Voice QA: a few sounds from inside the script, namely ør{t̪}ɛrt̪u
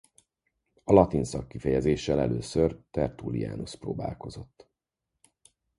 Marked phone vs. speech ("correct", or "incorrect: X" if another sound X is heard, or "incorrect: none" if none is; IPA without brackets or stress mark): correct